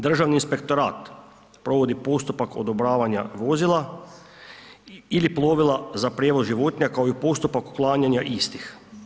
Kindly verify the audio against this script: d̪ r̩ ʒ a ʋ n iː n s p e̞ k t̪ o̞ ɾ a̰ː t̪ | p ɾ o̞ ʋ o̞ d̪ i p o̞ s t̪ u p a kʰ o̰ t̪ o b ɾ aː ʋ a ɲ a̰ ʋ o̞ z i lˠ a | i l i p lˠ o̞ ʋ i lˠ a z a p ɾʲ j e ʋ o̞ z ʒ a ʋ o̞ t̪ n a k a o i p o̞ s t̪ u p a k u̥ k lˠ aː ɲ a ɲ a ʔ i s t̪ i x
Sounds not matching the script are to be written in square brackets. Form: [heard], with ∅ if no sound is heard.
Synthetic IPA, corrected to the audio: d̪ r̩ ʒ a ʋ n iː n s p e̞ k t̪ o̞ ɾ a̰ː t̪ | p ɾ o̞ ʋ o̞ d̪ i p o̞ s t̪ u p a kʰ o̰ [d̪] o b ɾ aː ʋ a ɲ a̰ ʋ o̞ z i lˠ a | i l i p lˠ o̞ ʋ i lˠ a z a p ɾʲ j e ʋ o̞ z ʒ [i] ʋ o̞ t̪ [ɲ] a k a o i p o̞ s t̪ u p a k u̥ k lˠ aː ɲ a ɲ a ʔ i s t̪ i x